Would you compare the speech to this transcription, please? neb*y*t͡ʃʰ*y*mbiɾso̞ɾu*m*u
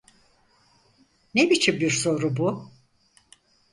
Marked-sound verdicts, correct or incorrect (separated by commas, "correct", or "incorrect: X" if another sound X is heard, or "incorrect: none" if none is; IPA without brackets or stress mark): incorrect: i, incorrect: i, incorrect: b